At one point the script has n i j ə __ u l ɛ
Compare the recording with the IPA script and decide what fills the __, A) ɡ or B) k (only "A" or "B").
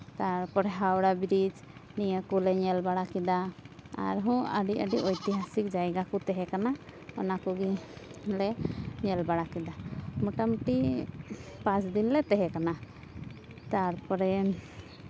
B